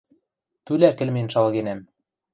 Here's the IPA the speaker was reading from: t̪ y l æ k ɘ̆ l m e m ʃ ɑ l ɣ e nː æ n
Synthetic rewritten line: t̪ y l æ k ɘ̆ l m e n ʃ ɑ l ɣ e n æ m